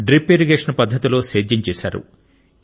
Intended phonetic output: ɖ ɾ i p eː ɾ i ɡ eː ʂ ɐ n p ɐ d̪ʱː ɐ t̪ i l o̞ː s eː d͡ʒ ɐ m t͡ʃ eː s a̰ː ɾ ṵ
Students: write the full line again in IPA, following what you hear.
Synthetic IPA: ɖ ɾ i p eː ɾ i ɡ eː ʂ ɐ n p ɐ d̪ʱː ɐ t̪ i l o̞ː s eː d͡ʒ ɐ ɲ t͡ʃ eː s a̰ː ɾ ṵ